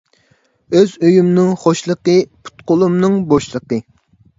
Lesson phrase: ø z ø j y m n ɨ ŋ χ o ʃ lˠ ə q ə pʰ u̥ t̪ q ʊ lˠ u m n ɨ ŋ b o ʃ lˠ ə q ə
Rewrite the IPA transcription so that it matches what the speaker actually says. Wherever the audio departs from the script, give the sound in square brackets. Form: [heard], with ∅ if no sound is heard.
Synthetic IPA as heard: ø z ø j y m n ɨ ŋ χ o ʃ lˠ ə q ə pʰ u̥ t̪ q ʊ lˠ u m n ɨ ŋ b o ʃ lˠ ə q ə